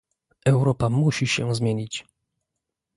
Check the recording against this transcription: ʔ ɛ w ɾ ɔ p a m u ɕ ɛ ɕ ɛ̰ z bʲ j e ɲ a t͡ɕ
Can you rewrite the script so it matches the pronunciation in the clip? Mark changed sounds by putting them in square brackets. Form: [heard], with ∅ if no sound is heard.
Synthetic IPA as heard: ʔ ɛ w ɾ ɔ p a m u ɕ [i] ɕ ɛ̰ z [mʲ] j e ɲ [i] t͡ɕ